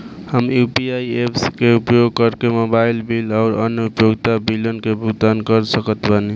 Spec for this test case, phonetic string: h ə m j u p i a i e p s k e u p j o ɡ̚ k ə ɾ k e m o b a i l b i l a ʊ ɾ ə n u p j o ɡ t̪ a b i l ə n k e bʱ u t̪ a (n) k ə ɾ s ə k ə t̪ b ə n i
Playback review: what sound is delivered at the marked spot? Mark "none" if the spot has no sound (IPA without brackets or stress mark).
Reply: n